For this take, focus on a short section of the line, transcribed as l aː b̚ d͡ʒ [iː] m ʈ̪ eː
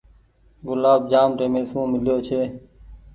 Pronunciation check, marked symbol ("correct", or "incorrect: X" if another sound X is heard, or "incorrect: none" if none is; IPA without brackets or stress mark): incorrect: aː